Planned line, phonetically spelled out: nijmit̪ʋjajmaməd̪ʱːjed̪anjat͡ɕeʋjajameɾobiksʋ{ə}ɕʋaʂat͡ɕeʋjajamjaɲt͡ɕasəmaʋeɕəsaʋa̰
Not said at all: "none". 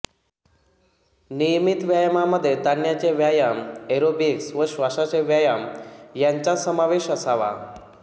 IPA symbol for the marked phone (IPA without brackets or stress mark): ə